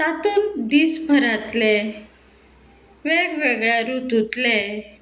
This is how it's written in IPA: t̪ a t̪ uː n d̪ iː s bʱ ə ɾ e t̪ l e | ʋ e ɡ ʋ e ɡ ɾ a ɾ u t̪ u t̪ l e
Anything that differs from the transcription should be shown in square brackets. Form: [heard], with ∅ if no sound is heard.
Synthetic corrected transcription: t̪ a t̪ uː n d̪ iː s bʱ ə ɾ [a] t̪ l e | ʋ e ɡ ʋ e ɡ [ɭ] a ɾ u t̪ u t̪ l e